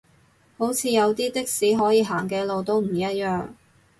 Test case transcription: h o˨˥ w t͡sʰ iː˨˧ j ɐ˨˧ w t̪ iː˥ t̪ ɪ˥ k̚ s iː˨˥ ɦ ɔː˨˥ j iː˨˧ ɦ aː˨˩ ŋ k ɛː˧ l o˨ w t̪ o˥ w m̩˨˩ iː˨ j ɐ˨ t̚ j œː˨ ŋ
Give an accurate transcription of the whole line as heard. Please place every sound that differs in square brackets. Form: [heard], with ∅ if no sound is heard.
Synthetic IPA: h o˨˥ w t͡sʰ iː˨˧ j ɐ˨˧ w t̪ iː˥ t̪ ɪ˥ k̚ s iː˨˥ ɦ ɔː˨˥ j iː˨˧ ɦ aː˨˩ ŋ k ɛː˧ l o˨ w t̪ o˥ w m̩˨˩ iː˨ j [ɐ˥] t̚ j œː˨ ŋ